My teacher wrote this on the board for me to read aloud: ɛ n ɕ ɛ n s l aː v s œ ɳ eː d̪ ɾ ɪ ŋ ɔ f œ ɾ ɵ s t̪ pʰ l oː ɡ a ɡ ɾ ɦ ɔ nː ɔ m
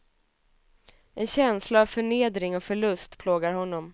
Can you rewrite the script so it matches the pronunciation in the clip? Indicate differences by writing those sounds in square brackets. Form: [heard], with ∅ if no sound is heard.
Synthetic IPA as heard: ɛ n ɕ ɛ n s l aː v [f] œ ɳ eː d̪ ɾ ɪ ŋ ɔ f œ [ɭ] ɵ s t̪ pʰ l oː ɡ a [∅] ɾ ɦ ɔ nː ɔ m